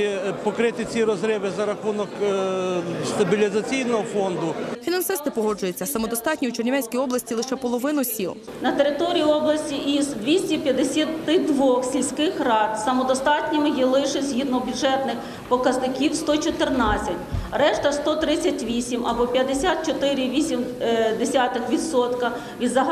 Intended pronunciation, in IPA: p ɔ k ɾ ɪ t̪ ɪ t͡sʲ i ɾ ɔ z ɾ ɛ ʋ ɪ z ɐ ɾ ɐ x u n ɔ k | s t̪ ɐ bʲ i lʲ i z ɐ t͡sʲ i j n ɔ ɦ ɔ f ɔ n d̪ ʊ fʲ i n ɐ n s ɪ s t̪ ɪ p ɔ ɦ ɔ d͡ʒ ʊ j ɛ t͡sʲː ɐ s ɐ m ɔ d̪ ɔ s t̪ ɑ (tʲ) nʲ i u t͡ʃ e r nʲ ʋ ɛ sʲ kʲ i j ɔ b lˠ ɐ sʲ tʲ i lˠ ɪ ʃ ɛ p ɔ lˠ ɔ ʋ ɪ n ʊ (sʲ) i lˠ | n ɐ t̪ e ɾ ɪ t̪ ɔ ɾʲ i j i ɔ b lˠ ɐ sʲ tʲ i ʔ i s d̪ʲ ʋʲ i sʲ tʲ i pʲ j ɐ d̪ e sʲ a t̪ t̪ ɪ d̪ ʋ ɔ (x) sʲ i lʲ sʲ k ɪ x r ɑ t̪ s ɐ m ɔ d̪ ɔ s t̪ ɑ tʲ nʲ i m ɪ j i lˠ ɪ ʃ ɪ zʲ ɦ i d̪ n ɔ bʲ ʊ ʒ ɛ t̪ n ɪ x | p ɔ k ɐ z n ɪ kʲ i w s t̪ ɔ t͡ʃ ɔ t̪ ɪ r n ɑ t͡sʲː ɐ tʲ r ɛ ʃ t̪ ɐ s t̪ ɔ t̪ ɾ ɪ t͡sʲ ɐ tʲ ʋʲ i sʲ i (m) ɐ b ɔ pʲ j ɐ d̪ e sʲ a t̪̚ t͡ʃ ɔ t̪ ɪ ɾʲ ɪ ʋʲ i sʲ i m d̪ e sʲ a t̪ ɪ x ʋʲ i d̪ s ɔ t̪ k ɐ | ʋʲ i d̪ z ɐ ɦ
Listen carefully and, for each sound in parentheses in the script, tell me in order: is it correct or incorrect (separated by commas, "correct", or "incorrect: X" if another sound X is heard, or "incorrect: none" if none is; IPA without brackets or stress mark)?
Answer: correct, correct, correct, correct